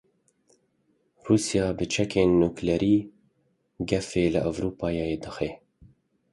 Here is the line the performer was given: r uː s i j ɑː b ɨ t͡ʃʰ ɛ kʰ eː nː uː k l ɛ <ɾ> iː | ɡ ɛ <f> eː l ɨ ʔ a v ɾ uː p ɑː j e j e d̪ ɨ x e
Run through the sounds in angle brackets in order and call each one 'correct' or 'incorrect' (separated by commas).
correct, correct